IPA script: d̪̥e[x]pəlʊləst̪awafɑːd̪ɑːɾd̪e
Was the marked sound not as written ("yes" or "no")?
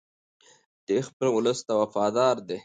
no